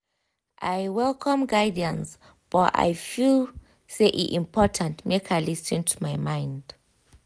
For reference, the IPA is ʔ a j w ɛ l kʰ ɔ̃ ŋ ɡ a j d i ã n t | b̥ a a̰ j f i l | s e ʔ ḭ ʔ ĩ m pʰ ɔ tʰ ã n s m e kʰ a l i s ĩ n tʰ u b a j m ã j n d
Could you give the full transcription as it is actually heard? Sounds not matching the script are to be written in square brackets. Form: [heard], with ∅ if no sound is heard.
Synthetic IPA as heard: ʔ a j w ɛ l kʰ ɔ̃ [m] ɡ a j d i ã n [s] | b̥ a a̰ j f i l | s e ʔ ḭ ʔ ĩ m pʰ ɔ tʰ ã n [t] m e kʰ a l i s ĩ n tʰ u [m] a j m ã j n d